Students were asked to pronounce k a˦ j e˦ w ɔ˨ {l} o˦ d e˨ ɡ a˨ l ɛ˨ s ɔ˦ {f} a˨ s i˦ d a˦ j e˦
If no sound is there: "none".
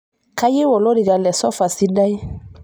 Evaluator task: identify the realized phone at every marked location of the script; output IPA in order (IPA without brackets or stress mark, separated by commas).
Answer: l, f